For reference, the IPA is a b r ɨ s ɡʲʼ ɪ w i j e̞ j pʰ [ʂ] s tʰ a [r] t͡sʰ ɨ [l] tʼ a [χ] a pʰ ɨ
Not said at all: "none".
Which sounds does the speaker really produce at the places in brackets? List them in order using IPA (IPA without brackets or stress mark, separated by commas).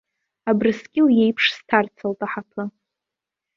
ʂ, r, l, ħ